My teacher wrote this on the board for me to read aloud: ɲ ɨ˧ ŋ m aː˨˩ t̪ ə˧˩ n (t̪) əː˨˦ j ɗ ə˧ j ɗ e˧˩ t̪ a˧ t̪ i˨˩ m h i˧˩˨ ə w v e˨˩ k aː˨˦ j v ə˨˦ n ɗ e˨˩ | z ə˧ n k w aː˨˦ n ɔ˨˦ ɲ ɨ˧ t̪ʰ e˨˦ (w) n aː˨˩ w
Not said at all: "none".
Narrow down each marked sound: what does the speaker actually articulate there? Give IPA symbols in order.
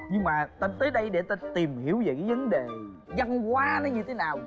t̪, none

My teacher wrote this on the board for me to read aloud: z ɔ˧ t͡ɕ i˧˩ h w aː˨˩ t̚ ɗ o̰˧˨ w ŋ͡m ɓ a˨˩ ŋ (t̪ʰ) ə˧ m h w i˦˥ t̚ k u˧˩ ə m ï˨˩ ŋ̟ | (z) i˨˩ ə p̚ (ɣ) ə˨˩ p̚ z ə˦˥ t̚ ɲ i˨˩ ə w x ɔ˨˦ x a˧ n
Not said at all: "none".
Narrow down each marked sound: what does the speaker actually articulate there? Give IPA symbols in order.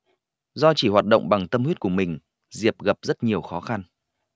t̪, z, ɣ

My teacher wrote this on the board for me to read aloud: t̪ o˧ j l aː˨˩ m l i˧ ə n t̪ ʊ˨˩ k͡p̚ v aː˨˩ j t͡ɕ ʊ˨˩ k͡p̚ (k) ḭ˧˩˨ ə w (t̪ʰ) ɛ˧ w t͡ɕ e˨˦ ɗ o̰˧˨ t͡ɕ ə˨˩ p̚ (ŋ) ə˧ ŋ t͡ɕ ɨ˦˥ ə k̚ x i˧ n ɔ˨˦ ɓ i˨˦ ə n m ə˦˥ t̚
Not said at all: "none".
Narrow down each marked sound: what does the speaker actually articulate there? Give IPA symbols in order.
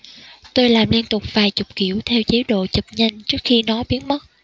k, t̪ʰ, ɲ

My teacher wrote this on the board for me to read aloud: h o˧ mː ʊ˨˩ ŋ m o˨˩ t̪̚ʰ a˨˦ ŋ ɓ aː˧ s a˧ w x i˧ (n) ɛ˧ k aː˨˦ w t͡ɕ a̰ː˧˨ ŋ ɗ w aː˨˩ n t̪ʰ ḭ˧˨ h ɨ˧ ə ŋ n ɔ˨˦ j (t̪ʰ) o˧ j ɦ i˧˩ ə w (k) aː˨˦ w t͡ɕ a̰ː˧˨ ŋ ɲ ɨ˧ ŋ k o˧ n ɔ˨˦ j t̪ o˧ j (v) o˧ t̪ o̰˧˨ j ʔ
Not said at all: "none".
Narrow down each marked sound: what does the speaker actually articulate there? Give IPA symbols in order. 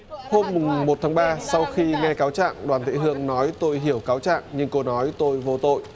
ŋ, t̪, k, v

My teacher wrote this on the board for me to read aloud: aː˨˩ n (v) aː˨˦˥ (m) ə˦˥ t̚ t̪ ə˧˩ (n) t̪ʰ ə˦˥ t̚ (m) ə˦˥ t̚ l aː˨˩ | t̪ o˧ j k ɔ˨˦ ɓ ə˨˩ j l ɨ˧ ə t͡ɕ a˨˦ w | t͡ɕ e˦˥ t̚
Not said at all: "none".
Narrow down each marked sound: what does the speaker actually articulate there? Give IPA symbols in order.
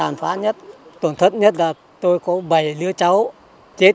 f, ɲ, n, ɲ

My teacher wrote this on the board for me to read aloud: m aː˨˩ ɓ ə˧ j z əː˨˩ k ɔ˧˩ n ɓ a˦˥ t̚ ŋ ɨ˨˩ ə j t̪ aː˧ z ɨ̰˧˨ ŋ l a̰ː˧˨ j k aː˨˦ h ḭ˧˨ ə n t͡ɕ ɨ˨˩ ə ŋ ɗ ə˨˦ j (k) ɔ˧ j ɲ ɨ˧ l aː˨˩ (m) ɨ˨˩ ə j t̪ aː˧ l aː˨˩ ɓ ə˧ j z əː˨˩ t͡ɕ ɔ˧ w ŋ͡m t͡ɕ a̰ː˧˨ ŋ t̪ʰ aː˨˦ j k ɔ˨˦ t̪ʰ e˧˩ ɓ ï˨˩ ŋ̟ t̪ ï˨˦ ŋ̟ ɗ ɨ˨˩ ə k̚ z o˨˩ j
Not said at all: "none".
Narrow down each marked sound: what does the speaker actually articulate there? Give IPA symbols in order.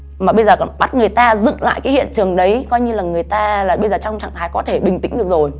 k, ŋ

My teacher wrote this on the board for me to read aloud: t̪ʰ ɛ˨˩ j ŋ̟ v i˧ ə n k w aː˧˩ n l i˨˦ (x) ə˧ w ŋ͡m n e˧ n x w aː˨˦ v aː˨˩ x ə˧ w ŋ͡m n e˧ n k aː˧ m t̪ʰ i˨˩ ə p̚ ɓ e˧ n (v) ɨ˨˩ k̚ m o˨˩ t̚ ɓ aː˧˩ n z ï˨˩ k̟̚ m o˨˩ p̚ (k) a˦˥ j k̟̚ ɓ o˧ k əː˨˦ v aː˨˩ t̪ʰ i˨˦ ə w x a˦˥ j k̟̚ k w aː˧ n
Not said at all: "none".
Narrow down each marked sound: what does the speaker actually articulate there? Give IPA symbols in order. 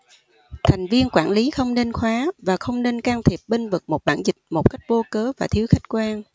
x, v, k

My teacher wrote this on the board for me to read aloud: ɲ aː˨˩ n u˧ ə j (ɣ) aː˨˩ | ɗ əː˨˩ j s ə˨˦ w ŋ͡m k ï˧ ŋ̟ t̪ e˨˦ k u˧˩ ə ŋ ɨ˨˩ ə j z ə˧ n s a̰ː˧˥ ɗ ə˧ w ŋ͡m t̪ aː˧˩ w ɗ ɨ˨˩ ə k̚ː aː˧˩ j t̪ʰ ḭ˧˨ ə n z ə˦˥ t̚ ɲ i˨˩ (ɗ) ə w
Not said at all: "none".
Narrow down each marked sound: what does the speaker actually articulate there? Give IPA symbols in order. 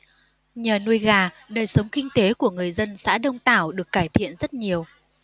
ɣ, none

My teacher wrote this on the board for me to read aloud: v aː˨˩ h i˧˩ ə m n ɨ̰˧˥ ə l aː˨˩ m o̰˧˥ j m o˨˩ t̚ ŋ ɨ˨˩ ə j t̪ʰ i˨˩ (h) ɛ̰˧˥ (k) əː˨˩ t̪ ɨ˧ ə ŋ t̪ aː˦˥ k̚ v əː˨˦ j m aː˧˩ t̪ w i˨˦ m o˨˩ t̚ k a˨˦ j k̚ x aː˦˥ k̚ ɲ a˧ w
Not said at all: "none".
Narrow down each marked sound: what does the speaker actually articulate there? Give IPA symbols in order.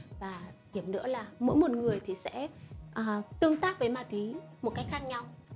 s, ʔ

